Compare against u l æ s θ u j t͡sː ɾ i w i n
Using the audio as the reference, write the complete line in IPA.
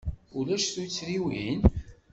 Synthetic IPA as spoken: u l æ ʃ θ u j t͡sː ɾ i w i n